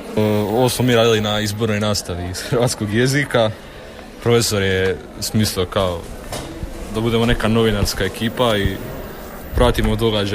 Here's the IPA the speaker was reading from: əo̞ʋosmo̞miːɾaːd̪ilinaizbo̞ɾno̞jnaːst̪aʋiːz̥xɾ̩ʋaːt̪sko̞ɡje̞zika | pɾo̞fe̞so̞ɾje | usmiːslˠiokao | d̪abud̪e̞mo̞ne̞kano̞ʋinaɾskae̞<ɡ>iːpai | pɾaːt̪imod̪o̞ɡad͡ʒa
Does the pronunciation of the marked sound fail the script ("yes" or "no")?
yes